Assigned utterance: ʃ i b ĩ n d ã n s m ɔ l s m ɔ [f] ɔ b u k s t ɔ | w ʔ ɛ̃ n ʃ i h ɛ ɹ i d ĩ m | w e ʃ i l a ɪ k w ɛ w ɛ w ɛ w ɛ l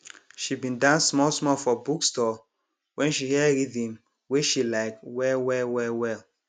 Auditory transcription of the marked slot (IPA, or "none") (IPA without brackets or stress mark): f